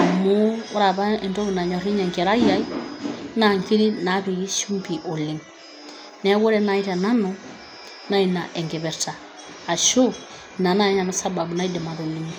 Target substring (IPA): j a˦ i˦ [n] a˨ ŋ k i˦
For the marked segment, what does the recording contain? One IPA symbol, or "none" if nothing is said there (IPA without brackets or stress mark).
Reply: n